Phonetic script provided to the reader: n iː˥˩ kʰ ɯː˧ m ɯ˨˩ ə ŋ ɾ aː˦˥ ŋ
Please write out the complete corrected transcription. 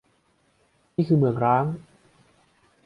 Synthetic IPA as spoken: n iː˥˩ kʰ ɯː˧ m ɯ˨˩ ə ŋ ɾ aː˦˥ ŋ